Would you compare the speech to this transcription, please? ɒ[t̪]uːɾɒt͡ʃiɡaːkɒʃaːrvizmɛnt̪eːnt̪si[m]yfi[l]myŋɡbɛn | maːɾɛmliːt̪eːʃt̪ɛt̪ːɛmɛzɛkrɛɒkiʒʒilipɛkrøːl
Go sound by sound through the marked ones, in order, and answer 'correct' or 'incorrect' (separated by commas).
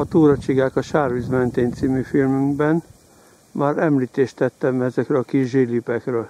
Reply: correct, correct, correct